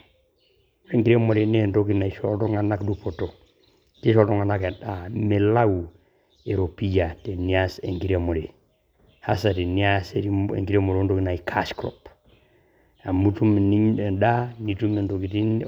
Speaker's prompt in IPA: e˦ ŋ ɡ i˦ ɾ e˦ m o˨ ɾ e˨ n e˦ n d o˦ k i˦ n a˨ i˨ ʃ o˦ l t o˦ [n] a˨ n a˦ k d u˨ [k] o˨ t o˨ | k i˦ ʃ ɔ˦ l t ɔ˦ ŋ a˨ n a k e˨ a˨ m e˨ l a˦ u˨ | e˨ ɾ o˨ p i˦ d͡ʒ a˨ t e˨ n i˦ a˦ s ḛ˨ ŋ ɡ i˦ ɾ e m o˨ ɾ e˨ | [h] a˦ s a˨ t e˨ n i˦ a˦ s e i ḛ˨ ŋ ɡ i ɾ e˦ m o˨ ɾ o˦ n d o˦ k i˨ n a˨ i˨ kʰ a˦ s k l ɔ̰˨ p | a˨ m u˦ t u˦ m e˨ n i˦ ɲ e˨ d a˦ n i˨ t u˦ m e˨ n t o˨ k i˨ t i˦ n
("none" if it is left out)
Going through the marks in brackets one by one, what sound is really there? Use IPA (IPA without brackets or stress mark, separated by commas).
ŋ, p, h